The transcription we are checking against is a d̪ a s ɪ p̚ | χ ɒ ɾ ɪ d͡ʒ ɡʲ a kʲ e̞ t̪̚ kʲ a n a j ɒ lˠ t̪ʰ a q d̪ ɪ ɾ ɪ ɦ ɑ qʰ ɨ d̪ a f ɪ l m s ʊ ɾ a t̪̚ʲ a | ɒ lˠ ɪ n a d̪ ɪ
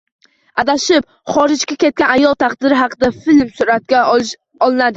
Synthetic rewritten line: a d̪ a ʃ ɪ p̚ | χ ɒ ɾ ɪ d͡ʒ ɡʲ a kʲ e̞ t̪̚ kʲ a n a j ɒ lˠ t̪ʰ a q d̪ ɪ ɾ ɪ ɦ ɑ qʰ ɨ d̪ a f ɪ l m s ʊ ɾ a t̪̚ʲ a | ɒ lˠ ɪ n a d̪ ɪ